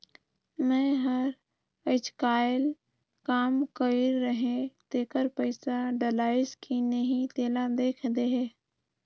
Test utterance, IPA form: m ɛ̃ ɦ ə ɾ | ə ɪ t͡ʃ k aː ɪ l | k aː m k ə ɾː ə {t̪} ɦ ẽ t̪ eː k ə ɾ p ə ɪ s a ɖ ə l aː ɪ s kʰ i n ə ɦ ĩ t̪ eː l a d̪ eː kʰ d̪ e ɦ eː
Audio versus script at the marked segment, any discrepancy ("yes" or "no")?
yes